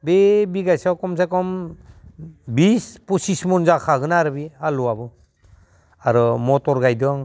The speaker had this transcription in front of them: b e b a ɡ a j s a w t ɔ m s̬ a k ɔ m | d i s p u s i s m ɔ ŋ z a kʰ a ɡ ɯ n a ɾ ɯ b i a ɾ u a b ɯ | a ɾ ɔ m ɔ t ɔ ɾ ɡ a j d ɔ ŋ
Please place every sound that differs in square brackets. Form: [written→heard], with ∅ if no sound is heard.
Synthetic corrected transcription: b e b [a→i] ɡ a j s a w [t→k] ɔ m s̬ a k ɔ m | [d→b] i s p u s i s m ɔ [ŋ→n] z a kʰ a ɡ ɯ n a ɾ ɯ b i a [ɾ→l] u a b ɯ | a ɾ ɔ m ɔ t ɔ ɾ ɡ a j d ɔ ŋ